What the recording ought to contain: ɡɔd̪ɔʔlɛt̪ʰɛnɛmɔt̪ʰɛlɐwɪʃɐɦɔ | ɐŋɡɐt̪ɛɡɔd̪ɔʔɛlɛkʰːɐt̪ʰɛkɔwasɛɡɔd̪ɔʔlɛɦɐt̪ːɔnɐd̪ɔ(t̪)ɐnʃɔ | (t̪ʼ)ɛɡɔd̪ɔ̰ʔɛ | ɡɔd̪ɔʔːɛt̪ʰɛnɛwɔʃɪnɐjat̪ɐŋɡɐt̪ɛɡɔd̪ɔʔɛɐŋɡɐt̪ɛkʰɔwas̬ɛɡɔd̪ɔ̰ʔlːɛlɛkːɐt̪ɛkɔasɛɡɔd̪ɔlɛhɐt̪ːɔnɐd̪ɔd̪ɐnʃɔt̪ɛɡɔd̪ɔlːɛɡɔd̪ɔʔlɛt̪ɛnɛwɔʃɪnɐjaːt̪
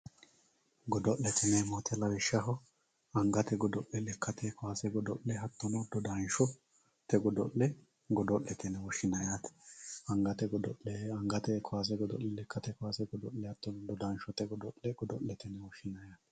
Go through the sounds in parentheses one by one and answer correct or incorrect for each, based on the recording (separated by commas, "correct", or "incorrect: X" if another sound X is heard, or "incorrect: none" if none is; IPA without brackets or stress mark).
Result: incorrect: d̪, incorrect: t̪